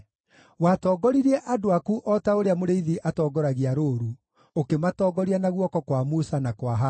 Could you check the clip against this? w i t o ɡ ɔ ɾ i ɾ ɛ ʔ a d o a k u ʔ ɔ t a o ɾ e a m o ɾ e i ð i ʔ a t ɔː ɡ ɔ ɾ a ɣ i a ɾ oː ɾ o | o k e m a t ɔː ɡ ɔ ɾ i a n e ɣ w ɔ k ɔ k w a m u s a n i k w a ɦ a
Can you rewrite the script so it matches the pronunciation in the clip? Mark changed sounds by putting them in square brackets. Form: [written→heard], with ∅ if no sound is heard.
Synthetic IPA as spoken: w [i→a] t [o→ɔ] ɡ ɔ ɾ i ɾ ɛ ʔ a d o a k u ʔ ɔ t a o ɾ e a m o ɾ e i ð i ʔ a t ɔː ɡ ɔ ɾ a ɣ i a ɾ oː ɾ [o→u] | o k e m a t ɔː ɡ ɔ ɾ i a n [e→a] ɣ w ɔ k ɔ k w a m u s a n [i→a] k w a ɦ a